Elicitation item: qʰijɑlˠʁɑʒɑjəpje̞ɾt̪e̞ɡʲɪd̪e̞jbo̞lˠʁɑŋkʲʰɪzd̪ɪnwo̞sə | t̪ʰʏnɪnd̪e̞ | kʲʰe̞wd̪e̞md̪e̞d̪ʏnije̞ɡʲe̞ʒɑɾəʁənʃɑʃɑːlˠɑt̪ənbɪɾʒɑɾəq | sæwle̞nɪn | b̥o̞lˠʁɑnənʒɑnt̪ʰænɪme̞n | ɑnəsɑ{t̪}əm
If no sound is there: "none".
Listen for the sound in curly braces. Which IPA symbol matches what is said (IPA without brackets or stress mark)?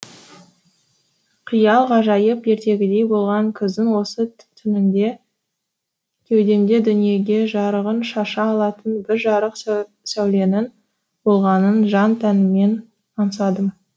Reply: d̪